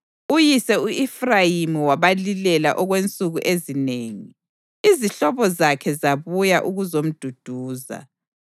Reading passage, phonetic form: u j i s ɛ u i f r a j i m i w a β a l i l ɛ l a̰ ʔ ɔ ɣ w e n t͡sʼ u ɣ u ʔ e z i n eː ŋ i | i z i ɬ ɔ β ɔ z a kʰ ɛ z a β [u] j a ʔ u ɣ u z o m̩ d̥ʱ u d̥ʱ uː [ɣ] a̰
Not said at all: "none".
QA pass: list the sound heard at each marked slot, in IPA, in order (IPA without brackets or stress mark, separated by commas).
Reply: u, z